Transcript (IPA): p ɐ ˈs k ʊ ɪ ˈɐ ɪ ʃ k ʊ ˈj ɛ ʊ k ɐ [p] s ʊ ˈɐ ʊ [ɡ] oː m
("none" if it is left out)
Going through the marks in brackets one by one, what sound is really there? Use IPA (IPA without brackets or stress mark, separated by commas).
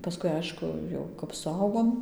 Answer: p, ɡ